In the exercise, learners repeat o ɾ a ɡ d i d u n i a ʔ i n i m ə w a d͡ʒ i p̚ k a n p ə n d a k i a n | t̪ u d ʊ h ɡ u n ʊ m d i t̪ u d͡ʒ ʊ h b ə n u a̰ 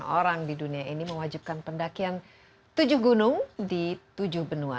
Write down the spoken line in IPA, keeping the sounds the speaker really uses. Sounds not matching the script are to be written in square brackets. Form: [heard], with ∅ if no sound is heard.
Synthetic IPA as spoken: o ɾ a [ŋ] d i d u n i a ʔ i n i m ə w a d͡ʒ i p̚ k a n p ə n d a k i a n | t̪ u [d͡ʒ] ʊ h ɡ u n ʊ [ŋ] d i t̪ u d͡ʒ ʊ h b ə n u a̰